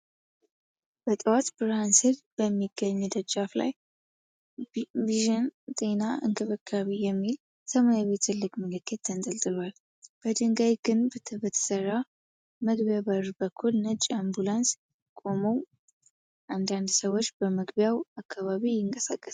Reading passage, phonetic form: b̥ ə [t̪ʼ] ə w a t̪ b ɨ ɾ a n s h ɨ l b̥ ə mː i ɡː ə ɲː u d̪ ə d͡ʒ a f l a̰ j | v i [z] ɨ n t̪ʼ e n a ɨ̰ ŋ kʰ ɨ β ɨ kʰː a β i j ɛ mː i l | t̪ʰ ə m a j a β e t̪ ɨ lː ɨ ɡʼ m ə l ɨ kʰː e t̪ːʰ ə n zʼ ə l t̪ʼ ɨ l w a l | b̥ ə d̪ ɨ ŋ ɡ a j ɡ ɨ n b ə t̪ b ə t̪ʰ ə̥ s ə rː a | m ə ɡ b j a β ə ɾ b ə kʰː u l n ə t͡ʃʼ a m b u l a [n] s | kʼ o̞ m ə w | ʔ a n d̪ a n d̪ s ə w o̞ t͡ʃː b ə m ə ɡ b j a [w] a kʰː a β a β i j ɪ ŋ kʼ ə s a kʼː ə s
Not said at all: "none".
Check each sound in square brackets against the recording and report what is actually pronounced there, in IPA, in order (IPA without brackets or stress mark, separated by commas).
t̪ʼ, ʒ, n, w